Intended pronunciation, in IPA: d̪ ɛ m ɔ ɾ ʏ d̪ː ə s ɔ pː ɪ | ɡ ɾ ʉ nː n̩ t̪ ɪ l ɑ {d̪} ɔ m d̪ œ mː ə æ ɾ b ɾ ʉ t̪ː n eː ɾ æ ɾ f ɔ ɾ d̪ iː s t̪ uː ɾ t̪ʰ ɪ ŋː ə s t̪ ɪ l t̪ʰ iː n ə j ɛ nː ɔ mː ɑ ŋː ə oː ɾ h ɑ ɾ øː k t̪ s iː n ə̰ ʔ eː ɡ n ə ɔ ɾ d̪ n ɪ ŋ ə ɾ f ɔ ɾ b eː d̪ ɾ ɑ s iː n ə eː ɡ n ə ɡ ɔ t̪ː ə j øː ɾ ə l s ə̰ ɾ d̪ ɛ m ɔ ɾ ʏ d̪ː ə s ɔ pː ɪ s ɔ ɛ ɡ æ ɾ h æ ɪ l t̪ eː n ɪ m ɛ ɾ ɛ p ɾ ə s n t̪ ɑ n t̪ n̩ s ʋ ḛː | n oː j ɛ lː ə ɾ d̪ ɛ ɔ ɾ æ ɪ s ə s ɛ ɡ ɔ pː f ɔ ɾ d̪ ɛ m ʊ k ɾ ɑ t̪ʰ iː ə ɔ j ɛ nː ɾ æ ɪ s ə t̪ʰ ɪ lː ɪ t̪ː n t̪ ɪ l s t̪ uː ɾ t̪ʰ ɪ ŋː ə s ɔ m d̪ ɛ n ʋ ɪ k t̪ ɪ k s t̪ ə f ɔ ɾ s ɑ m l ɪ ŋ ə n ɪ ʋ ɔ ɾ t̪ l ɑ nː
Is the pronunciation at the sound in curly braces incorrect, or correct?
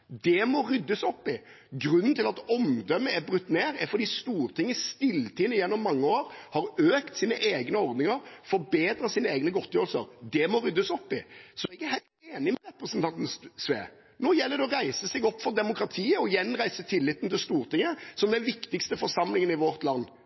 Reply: incorrect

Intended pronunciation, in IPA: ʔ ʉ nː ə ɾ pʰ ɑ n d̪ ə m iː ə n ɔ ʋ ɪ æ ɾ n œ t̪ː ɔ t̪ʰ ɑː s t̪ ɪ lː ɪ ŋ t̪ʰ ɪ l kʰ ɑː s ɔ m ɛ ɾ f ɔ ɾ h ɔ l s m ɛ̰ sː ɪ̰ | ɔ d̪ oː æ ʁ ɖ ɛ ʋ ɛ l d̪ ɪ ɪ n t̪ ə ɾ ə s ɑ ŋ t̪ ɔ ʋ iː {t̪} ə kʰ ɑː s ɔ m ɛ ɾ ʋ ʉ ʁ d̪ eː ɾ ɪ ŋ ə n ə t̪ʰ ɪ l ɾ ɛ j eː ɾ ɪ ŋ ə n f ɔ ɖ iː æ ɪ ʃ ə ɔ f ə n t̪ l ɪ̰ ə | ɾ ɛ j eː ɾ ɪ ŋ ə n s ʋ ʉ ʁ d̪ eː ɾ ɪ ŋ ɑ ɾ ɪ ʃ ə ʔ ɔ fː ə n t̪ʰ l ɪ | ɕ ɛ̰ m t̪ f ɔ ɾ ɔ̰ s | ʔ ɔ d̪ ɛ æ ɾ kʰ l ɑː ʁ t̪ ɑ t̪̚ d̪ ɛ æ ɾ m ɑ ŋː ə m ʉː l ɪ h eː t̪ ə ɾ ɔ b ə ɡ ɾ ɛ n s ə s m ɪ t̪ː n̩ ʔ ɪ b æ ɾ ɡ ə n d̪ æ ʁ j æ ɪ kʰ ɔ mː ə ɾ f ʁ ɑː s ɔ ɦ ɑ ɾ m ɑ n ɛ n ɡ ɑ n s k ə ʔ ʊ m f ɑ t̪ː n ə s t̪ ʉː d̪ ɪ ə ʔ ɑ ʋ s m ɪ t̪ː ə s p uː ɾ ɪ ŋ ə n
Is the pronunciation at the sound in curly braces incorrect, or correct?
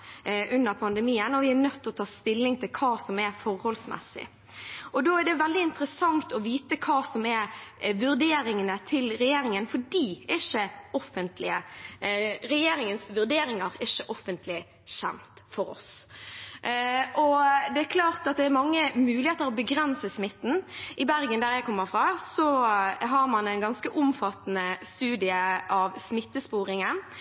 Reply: correct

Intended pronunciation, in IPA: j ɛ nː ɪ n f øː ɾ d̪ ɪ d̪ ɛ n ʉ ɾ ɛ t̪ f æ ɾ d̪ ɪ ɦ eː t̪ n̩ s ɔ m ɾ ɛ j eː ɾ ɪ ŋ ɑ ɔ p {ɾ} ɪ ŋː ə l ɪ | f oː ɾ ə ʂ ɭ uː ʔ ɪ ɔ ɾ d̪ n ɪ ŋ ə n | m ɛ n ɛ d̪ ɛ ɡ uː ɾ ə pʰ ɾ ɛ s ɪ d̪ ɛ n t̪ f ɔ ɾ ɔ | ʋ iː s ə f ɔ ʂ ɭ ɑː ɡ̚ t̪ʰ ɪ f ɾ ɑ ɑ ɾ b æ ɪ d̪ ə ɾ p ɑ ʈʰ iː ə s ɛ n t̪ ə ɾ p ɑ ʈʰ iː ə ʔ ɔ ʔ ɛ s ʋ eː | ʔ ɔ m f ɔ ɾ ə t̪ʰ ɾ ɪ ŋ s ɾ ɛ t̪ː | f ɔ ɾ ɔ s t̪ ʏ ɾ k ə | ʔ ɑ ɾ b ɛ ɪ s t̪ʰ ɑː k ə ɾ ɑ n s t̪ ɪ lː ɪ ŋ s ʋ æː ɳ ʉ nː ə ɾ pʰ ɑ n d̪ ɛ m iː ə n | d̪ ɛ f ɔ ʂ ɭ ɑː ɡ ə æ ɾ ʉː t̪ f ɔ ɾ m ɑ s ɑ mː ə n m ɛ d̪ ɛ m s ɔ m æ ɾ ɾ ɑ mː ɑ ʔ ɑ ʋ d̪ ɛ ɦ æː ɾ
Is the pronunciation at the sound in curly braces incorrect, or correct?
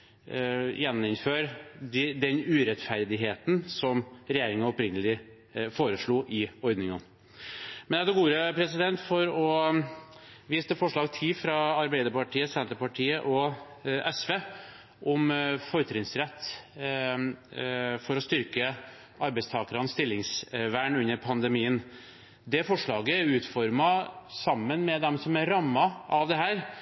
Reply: correct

